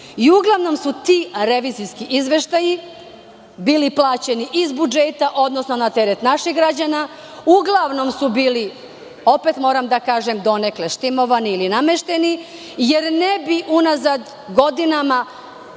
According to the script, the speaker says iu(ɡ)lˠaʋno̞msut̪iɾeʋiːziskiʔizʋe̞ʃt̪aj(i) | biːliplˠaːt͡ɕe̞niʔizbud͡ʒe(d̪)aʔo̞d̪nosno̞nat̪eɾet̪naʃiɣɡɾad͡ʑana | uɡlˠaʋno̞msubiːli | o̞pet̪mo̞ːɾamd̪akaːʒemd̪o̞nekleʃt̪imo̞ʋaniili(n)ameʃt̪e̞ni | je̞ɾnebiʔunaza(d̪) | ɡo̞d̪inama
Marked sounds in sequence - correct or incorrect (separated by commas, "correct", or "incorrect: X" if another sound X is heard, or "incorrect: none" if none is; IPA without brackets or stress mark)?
correct, correct, incorrect: t̪, correct, correct